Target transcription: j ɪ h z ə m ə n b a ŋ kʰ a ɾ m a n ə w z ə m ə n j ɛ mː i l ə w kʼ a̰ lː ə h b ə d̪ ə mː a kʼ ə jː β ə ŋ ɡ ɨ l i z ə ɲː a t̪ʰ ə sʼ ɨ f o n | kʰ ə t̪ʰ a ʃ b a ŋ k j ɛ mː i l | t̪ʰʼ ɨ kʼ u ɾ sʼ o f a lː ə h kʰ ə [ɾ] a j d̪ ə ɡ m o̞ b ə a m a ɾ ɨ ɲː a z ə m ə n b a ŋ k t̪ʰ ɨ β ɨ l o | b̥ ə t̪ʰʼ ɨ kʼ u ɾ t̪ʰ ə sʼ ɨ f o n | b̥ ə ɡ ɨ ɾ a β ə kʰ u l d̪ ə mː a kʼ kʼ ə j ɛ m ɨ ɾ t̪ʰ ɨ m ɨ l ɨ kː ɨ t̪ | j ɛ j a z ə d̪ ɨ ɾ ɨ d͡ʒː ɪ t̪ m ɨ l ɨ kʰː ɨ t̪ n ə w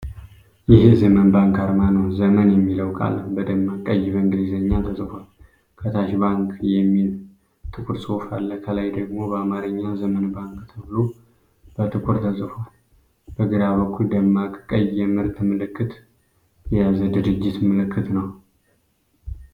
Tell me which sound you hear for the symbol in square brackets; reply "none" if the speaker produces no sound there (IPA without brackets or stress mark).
l